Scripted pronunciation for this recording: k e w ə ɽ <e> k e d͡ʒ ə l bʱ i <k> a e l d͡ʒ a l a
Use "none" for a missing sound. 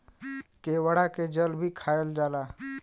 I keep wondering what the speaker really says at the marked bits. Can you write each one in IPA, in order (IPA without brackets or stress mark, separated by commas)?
a, kʰ